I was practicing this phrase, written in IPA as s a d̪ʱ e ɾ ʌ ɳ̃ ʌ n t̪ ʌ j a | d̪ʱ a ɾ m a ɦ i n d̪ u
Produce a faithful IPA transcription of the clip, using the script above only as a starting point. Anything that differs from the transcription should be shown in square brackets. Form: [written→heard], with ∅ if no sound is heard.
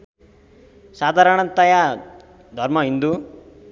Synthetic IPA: s a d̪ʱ [e→a] ɾ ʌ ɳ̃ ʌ n t̪ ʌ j a | d̪ʱ [a→ʌ] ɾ m [a→ʌ] ɦ i n d̪ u